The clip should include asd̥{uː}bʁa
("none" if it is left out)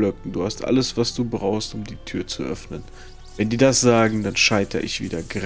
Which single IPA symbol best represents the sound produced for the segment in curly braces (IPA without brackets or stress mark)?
uː